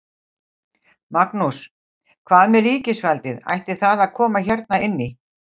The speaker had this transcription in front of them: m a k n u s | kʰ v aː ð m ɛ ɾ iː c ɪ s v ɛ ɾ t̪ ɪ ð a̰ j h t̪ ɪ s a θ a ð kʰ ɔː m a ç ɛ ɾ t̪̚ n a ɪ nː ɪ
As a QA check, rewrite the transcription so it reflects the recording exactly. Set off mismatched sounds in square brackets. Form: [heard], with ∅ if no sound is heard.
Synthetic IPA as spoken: m a k n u s | kʰ v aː ð m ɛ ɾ iː c ɪ s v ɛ [l] t̪ ɪ ð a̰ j h t̪ ɪ [θ] a [ð] a ð kʰ ɔː m a ç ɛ ɾ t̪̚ n a ɪ nː ɪ